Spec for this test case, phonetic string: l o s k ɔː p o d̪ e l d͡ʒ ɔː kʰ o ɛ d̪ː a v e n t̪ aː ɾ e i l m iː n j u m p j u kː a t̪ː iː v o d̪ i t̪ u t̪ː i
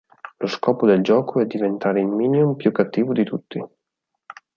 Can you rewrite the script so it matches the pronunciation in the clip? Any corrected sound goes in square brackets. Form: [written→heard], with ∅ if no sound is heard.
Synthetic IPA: l o s k ɔː p o d̪ e l d͡ʒ ɔː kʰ o ɛ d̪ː [a→i] v e n t̪ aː ɾ e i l m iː n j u m p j u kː a t̪ː iː v o d̪ i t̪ u t̪ː i